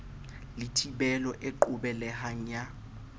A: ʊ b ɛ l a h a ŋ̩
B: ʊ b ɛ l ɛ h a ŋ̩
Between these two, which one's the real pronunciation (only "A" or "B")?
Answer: B